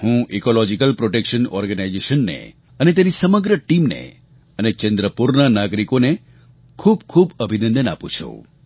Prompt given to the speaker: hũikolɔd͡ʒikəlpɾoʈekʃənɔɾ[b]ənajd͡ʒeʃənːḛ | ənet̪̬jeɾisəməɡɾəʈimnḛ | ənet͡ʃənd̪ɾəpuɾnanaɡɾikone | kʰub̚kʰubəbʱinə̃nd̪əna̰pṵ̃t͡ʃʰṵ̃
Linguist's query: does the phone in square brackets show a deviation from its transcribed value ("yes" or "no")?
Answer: yes